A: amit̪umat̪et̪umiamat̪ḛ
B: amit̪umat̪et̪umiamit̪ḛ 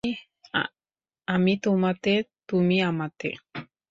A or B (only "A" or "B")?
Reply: A